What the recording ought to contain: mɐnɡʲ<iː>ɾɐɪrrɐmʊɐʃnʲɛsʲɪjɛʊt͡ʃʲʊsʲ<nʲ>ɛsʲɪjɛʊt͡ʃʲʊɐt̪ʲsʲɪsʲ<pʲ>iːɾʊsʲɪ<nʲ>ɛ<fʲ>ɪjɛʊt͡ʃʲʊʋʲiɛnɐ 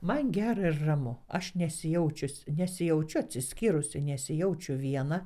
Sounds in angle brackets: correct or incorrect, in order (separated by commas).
incorrect, correct, incorrect, correct, incorrect